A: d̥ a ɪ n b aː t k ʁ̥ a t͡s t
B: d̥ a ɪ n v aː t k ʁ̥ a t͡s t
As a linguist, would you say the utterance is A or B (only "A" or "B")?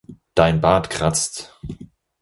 A